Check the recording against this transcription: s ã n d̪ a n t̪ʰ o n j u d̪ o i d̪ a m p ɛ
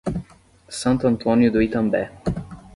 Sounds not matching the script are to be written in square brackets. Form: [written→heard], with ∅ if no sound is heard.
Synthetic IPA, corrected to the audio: s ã n [d̪→t̪] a n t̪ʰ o n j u d̪ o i [d̪→t̪] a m [p→b] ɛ